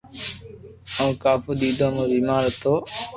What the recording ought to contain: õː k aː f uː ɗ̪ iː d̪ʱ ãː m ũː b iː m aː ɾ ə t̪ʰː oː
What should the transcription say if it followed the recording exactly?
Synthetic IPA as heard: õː k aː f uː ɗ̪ iː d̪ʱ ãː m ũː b iː m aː ɾ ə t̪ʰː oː